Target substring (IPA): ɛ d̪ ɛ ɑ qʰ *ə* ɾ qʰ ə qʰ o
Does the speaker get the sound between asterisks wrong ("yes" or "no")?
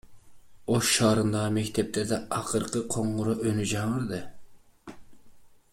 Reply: no